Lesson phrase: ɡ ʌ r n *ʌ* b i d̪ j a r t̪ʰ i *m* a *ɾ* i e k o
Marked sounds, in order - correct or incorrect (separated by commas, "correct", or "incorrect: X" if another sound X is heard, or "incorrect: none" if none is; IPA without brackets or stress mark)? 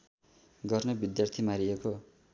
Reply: correct, correct, correct